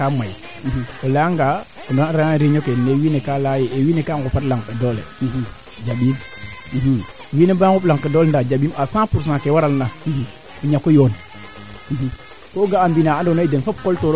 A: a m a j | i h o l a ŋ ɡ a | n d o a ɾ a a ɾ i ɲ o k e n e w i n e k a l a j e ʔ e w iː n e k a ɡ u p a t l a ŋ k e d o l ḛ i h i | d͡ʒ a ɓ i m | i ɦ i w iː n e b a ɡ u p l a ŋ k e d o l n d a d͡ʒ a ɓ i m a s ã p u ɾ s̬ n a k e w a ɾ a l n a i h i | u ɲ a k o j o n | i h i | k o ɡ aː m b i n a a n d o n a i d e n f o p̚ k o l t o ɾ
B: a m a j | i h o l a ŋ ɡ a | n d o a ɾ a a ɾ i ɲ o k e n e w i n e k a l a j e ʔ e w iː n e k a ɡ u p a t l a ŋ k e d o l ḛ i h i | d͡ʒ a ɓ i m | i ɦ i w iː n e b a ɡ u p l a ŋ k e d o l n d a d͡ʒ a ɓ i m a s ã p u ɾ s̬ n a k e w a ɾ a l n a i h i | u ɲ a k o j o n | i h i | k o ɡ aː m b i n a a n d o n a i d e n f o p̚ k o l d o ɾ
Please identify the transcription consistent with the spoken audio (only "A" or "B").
A